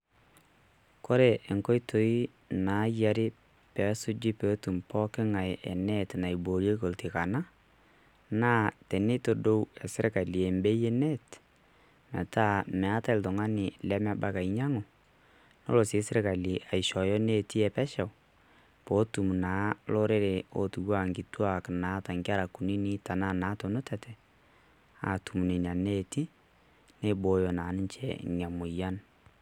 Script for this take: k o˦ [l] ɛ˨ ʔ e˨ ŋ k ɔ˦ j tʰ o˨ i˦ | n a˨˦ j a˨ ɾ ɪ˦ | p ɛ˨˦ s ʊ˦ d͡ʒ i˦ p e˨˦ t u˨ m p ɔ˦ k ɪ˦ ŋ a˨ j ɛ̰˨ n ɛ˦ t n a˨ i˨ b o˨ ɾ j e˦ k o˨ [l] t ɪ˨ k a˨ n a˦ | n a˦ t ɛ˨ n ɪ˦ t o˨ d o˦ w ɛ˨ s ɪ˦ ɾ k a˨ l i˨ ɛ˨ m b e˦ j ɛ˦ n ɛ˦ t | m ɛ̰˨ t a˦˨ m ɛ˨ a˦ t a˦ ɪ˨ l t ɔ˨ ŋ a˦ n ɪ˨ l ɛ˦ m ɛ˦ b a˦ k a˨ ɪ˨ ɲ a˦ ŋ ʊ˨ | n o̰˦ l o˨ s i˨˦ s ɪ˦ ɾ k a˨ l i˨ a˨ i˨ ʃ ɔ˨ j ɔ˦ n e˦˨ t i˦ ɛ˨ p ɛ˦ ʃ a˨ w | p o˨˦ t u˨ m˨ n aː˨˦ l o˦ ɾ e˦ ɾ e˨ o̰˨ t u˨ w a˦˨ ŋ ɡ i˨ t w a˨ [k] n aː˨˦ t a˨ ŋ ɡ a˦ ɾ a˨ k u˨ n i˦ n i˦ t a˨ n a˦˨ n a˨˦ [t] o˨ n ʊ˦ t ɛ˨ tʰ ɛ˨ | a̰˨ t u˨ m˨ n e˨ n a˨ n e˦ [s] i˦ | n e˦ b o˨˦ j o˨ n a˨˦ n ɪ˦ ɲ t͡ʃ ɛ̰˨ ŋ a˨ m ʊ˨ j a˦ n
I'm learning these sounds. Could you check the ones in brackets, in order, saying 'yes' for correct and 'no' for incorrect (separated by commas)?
no, yes, yes, yes, no